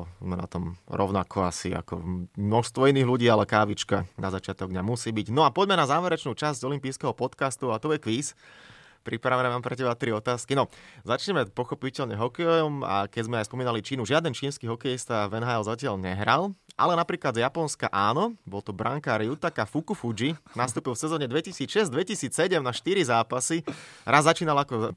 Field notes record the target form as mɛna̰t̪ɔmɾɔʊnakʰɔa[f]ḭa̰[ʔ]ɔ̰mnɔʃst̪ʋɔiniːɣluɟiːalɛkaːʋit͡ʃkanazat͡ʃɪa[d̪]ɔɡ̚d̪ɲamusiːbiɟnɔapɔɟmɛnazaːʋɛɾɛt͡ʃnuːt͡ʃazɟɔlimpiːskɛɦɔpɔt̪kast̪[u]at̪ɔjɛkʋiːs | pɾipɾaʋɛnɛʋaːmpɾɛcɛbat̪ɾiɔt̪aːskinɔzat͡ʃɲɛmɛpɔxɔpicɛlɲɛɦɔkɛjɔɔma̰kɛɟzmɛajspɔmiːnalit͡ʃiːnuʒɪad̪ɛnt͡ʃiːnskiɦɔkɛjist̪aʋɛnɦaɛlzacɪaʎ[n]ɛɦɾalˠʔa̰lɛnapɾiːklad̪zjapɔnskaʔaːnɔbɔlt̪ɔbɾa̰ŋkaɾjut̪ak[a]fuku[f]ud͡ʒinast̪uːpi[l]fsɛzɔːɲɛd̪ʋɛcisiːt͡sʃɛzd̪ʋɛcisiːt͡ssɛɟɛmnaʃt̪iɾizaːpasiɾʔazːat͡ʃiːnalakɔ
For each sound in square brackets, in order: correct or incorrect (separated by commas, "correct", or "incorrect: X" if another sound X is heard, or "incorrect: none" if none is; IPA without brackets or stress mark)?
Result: incorrect: s, incorrect: k, incorrect: t̪, correct, incorrect: ɲ, correct, correct, correct